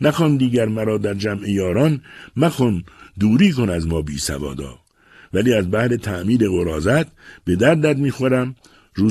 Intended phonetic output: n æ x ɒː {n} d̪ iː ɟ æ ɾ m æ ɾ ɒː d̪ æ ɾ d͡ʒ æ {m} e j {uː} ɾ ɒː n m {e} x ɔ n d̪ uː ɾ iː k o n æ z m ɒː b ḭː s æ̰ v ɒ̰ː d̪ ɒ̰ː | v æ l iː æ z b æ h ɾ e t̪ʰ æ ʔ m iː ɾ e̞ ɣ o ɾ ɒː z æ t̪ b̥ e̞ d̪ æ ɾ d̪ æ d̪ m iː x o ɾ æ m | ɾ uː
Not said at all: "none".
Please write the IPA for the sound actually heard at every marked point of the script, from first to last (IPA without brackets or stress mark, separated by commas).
n, m, ɒː, æ